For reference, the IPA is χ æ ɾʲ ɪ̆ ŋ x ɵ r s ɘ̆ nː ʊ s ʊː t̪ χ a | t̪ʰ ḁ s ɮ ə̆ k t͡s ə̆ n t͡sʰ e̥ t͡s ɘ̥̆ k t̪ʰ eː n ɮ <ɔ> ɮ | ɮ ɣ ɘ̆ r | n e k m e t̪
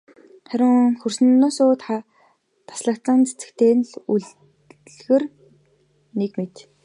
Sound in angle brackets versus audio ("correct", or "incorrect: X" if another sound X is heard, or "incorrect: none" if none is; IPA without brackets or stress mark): incorrect: u